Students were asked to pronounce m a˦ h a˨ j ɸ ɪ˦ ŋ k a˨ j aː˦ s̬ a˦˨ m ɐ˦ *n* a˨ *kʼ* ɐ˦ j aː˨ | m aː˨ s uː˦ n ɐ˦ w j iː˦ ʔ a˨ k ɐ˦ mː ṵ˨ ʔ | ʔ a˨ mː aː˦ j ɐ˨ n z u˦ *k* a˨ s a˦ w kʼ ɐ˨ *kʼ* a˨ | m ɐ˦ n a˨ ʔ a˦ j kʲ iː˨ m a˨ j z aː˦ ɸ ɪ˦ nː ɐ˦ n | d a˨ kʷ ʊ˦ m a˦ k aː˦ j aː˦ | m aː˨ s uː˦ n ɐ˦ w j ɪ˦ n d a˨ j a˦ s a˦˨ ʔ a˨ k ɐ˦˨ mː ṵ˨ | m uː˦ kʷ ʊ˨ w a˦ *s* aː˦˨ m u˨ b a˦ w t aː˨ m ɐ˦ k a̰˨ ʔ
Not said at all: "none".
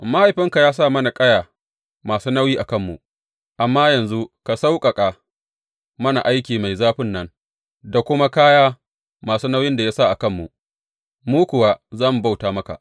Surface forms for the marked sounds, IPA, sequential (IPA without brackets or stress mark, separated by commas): n, kʼ, k, kʼ, z